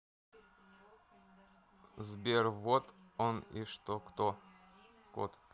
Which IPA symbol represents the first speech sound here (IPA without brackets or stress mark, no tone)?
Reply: z